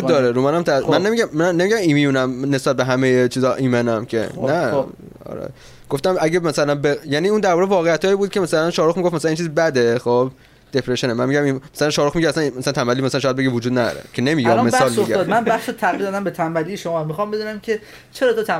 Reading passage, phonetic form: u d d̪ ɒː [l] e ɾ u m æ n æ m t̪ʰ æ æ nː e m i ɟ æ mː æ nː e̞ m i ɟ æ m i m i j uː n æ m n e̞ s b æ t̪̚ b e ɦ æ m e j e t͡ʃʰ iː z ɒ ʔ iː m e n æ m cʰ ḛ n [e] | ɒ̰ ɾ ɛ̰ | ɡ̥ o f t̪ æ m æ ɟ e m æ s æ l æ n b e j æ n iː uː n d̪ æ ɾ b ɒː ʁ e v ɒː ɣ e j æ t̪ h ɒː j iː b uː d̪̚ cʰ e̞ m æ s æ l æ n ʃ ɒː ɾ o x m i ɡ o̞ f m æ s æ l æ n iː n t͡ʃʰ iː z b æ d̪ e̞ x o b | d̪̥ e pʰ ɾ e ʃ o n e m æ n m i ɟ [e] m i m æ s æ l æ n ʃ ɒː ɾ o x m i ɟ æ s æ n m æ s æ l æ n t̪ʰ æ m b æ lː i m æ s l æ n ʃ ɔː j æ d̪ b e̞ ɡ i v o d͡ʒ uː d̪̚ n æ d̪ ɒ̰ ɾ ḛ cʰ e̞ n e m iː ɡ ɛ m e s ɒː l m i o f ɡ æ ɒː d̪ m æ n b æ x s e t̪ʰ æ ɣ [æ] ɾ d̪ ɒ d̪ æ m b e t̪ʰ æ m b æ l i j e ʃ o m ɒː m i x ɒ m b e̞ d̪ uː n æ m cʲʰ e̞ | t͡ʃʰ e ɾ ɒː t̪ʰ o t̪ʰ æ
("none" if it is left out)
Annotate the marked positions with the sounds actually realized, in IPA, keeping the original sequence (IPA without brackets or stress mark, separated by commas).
ɾ, æ, æ, i